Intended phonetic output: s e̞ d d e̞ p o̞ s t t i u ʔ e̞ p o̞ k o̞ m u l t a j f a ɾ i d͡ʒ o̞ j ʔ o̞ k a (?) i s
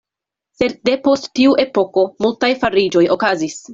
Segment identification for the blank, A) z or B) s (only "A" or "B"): A